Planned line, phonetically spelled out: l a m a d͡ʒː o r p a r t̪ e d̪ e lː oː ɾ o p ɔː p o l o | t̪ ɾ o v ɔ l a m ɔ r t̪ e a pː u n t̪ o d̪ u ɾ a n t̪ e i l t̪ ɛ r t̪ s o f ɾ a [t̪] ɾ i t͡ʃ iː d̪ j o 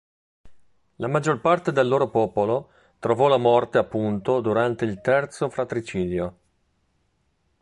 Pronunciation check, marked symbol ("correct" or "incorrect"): correct